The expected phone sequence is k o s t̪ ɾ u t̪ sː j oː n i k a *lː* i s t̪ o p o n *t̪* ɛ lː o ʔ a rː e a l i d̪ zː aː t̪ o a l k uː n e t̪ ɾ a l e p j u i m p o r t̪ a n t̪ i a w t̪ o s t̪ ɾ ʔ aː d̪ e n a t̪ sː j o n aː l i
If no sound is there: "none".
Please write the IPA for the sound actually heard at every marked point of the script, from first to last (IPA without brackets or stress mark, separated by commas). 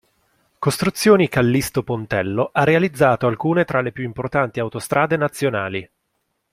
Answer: lː, t̪